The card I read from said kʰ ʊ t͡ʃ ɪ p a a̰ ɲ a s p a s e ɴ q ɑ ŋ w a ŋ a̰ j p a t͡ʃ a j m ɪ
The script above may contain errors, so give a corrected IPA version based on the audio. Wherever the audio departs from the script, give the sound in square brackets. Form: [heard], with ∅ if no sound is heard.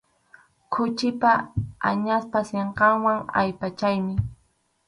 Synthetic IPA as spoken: kʰ ʊ t͡ʃ ɪ p a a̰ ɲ a s p a s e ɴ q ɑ ŋ w a ŋ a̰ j p a t͡ʃ a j m ɪ

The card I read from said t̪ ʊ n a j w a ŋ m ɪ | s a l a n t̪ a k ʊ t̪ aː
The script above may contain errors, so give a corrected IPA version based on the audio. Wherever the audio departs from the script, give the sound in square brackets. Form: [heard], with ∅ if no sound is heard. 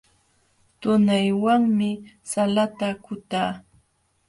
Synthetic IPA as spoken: t̪ ʊ n a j w a ŋ m ɪ | s a l a [∅] t̪ a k ʊ t̪ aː

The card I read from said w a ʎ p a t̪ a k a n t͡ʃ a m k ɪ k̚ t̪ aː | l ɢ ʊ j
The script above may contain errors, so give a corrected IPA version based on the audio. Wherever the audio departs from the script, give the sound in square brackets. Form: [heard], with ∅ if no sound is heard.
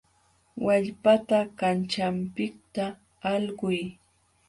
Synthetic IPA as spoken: w a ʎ p a t̪ a k a n t͡ʃ a m [p] ɪ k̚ t̪ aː | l ɢ ʊ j

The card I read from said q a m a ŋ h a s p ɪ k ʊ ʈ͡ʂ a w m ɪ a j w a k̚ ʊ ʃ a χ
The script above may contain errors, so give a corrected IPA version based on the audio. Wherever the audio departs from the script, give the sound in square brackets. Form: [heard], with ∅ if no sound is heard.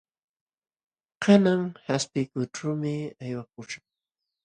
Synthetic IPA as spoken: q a [n] a ŋ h a s p ɪ k ʊ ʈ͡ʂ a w m ɪ a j w a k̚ ʊ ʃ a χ

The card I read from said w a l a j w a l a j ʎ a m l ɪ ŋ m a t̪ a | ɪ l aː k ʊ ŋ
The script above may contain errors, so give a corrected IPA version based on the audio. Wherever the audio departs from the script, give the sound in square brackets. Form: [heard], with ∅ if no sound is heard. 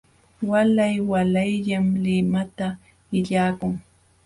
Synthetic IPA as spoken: w a l a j w a l a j ʎ a m l ɪ [∅] m a t̪ a | ɪ [ʎ] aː k ʊ ŋ

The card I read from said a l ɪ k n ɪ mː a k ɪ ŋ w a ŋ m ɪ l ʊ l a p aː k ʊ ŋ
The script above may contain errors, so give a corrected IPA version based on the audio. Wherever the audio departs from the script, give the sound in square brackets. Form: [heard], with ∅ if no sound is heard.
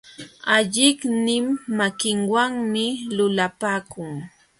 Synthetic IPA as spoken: a [ʎ] ɪ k n ɪ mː a k ɪ ŋ w a ŋ m ɪ l ʊ l a p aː k ʊ ŋ

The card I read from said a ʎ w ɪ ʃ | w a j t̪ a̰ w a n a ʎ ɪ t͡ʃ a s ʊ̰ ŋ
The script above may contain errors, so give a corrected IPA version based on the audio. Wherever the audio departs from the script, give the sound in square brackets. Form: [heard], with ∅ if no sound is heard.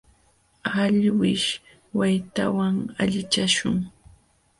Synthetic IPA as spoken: a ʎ w ɪ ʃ | w a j t̪ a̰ w a [ŋ] a ʎ ɪ t͡ʃ a [ʃ] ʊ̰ ŋ

